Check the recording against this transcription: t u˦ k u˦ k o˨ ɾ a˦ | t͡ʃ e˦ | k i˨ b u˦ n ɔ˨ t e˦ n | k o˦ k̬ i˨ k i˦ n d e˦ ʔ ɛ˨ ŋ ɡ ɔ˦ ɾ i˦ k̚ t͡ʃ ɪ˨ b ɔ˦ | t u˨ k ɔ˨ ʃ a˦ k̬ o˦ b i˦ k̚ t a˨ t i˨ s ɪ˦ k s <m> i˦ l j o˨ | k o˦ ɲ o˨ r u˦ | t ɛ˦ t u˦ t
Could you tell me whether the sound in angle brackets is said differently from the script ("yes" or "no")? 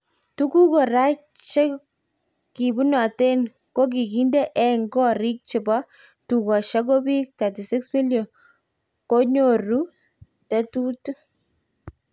no